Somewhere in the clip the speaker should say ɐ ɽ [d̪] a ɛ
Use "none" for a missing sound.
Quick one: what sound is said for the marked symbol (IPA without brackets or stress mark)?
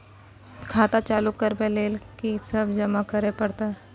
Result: t̪